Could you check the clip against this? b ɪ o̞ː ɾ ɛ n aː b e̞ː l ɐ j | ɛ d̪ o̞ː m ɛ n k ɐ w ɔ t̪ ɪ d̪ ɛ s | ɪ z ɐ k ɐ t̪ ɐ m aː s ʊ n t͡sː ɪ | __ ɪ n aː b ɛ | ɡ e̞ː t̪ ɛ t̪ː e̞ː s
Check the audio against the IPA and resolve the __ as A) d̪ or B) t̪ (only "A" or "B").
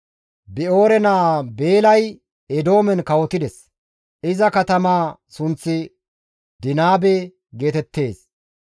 A